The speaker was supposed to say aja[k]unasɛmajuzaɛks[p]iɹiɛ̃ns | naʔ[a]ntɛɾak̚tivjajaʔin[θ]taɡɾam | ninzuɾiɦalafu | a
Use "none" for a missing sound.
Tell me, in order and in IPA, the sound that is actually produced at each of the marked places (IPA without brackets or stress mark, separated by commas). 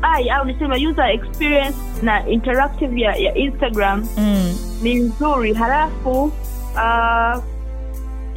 none, p, i, s